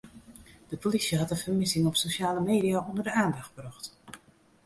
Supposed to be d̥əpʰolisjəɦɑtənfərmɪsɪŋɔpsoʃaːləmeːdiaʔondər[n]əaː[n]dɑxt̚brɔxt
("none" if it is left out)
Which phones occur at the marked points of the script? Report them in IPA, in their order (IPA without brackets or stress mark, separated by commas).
d, n